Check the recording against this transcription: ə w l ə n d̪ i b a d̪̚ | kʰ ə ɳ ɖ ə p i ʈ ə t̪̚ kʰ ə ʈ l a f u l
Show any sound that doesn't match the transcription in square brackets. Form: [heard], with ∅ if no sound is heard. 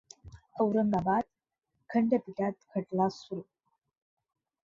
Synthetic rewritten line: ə w [ɾ] ə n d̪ [a] b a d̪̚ | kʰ ə ɳ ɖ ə p i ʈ [a] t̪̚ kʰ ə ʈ l a [s] u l